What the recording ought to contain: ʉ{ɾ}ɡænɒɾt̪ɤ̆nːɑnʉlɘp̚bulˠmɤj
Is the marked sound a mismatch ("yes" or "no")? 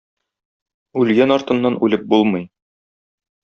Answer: yes